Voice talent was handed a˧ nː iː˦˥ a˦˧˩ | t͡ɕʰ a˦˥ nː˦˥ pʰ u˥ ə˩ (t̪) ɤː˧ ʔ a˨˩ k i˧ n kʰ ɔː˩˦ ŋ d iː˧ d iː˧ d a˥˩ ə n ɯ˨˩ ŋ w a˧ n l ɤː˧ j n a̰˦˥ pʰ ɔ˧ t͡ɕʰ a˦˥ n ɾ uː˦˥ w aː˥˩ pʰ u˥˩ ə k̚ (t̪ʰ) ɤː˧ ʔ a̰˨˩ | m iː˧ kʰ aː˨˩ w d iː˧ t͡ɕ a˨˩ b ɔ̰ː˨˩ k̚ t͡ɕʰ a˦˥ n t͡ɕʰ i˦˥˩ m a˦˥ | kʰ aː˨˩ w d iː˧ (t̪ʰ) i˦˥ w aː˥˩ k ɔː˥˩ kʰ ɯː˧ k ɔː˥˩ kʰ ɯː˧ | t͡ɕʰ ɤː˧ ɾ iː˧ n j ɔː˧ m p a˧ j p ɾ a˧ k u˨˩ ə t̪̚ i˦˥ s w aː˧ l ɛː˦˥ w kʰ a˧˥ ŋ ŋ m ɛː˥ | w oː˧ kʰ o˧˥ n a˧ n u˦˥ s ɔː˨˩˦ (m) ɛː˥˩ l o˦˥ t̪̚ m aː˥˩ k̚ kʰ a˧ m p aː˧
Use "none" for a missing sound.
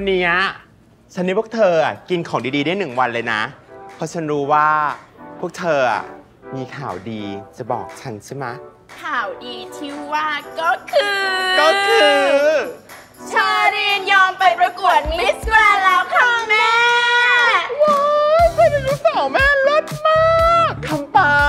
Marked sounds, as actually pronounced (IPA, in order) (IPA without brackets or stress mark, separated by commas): t̪ʰ, t̪ʰ, t̪ʰ, m